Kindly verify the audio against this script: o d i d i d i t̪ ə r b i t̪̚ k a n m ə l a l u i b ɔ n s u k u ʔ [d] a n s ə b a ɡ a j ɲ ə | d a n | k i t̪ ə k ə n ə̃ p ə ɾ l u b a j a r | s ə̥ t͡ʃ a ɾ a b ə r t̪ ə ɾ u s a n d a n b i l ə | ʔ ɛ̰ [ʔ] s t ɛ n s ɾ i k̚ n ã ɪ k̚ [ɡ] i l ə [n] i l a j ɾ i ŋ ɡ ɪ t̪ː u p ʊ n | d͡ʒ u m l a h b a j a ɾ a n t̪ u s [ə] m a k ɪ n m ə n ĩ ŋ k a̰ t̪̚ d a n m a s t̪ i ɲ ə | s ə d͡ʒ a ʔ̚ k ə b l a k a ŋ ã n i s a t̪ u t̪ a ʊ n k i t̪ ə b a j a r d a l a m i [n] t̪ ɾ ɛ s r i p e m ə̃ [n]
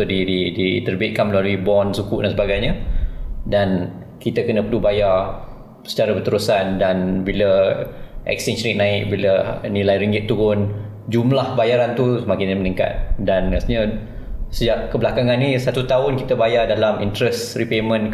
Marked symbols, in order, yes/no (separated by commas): yes, no, no, yes, yes, yes, yes